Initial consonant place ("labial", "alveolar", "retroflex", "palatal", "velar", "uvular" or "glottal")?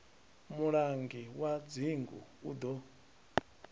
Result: labial